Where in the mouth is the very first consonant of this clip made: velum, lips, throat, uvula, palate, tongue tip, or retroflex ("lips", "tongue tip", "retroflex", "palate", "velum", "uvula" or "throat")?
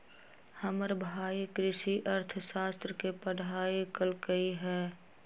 throat